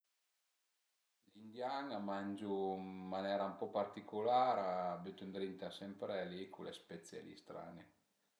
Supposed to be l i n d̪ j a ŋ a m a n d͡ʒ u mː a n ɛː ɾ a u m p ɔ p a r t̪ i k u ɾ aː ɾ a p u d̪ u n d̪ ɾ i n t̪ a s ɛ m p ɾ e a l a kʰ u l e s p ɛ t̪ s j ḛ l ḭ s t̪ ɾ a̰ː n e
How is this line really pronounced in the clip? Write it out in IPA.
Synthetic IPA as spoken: l i n d̪ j a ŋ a m a n d͡ʒ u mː a n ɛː ɾ a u m p ɔ p a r t̪ i k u l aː ɾ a b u t̪ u n d̪ ɾ i n t̪ a s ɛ m p ɾ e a l i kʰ u l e s p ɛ t̪ s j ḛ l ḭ s t̪ ɾ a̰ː n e